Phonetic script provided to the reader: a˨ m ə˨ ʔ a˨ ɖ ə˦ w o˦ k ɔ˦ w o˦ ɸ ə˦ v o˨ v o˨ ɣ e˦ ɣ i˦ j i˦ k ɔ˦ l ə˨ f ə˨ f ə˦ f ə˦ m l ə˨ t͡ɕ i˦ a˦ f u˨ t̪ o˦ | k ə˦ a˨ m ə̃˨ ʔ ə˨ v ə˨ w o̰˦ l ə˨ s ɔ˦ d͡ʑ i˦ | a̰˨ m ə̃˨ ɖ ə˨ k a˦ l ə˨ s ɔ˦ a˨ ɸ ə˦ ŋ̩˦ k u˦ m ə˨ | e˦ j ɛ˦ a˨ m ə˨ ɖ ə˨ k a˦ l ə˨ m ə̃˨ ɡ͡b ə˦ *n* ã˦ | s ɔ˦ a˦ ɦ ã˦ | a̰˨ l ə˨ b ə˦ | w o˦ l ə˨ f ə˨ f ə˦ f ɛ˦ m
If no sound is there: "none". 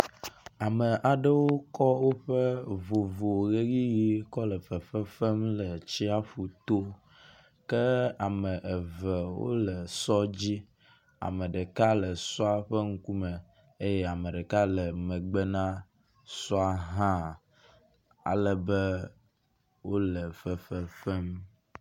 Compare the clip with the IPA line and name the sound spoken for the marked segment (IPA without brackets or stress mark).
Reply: n